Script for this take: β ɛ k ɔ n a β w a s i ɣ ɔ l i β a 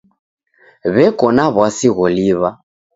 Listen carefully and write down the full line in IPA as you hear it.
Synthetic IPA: β ɛ k ɔ n a β w a s i ɣ ɔ l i β a